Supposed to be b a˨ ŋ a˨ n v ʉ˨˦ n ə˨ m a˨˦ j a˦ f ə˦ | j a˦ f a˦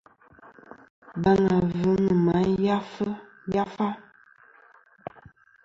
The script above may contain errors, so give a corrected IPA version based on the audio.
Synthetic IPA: b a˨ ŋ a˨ v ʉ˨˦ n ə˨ m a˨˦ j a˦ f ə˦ | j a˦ f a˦